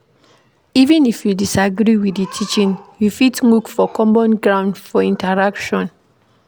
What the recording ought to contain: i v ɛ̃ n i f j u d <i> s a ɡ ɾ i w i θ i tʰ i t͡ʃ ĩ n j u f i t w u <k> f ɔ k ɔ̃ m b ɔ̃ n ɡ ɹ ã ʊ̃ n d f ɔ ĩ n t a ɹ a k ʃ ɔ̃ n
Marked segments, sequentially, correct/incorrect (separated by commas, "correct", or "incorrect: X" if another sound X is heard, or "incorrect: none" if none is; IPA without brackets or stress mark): correct, correct